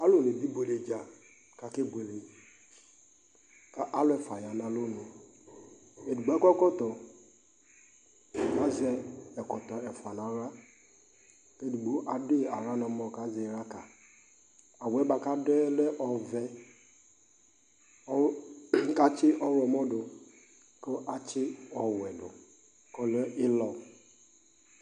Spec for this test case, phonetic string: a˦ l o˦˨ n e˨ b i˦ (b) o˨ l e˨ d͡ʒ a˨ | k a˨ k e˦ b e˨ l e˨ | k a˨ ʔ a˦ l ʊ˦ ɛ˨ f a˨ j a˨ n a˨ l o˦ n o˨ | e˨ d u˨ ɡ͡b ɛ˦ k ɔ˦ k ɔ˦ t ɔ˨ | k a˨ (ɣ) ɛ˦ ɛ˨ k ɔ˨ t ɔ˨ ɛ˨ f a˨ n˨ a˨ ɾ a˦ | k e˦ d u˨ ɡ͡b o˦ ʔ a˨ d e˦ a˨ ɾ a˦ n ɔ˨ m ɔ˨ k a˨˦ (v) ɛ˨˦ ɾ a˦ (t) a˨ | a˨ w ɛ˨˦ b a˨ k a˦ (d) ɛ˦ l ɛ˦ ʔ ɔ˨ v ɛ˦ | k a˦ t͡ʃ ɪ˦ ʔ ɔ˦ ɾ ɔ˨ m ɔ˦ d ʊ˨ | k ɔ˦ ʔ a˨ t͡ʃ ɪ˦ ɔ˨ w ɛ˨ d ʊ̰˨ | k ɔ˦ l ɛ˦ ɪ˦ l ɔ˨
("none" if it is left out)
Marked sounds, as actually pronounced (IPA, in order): b, z, z, k, d

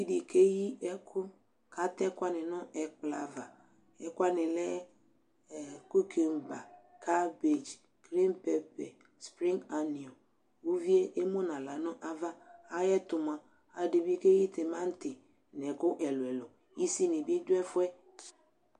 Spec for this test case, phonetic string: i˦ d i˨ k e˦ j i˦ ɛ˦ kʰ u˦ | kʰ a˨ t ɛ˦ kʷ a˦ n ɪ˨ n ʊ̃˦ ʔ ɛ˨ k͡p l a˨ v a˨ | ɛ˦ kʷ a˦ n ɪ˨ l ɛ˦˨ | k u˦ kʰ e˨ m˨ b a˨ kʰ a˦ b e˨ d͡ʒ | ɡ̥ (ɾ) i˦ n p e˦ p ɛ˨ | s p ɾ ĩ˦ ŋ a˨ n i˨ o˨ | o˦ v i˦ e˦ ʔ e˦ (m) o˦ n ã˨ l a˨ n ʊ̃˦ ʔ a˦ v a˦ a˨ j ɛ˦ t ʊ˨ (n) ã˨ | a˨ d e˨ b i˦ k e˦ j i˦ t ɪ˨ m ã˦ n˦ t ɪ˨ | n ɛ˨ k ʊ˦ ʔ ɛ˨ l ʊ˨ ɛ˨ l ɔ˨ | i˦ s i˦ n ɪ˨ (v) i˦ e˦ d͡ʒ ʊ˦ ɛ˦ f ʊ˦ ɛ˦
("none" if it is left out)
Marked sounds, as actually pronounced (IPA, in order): ɾ, m, m, b

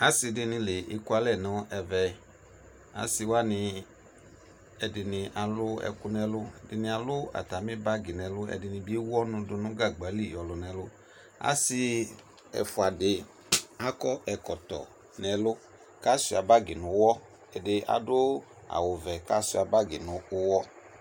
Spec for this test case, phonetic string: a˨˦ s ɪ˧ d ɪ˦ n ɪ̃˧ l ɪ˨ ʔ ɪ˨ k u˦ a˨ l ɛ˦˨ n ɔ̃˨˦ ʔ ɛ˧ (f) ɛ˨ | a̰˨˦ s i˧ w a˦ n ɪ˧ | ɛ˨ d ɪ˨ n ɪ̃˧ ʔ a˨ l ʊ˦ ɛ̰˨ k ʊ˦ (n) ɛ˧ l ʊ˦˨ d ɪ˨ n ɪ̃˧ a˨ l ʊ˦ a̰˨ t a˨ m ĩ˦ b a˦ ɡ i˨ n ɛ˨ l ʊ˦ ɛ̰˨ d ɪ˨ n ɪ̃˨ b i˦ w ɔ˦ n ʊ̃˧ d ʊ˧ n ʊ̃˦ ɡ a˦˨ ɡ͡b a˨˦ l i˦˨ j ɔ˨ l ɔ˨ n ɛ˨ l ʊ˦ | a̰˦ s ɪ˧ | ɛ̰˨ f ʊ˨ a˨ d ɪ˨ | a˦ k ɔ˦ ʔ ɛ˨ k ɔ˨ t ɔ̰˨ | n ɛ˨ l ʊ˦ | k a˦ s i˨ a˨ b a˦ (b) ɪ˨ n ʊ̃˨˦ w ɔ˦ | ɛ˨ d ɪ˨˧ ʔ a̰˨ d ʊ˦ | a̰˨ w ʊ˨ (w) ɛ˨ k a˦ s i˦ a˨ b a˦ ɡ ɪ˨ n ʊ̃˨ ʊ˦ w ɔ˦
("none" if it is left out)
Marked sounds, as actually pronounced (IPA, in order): v, n, ɡ, v

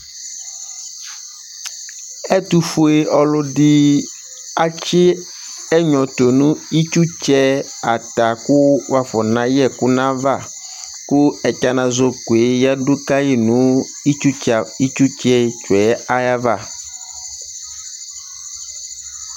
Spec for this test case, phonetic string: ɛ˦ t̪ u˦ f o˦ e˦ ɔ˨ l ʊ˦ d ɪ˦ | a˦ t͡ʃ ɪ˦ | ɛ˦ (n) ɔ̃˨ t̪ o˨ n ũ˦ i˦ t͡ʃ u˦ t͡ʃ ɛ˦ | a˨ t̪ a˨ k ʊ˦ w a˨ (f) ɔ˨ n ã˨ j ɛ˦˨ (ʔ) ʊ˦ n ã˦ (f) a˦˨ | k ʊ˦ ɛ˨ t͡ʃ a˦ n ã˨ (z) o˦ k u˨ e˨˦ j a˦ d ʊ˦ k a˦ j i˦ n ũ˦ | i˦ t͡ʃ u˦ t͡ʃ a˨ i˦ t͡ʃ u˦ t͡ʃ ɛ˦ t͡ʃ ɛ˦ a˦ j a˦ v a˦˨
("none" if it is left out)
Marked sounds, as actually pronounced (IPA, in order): ɲ, f, k, v, z

